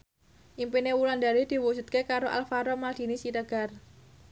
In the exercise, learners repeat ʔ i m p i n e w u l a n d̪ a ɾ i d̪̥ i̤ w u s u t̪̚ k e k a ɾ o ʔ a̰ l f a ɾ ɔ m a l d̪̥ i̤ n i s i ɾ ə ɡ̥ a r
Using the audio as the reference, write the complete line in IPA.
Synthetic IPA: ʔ i m p i n e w u l a n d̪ a ɾ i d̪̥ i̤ w u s u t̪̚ k e k a ɾ o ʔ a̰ l f a ɾ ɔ m a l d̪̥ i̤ n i s i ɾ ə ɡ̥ a r